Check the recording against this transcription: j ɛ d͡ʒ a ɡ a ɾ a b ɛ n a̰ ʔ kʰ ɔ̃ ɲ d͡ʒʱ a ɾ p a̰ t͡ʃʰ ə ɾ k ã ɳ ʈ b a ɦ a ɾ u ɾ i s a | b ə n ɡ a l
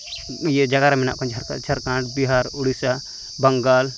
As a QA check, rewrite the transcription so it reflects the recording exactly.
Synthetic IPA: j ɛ d͡ʒ a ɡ a ɾ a m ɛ n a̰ ʔ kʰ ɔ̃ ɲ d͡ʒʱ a ɾ k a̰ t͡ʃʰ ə ɾ k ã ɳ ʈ b i ɦ a ɾ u ɽ i s a | b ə ŋ ɡ a l